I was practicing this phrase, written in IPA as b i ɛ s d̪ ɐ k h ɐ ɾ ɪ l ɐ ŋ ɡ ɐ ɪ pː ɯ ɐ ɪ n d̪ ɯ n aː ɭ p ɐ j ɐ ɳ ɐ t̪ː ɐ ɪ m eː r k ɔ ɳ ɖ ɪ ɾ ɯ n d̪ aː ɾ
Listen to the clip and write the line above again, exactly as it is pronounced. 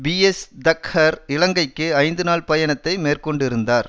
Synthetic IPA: b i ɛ s d̪ ɐ k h ɐ ɾ ɪ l ɐ ŋ ɡ ɐ ɪ kː ɯ ɐ ɪ n d̪ ɯ n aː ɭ p ɐ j ɐ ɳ ɐ t̪ː ɐ ɪ m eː r k ɔ ɳ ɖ ɪ ɾ ɯ n d̪ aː ɾ